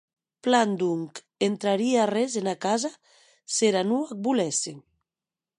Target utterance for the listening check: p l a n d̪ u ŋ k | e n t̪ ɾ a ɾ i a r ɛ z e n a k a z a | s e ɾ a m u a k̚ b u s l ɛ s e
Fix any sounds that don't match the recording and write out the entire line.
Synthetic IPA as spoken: p l a n d̪ u ŋ k | e n t̪ ɾ a ɾ i a r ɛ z e n a k a z a | s e ɾ a n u a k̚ b u l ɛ s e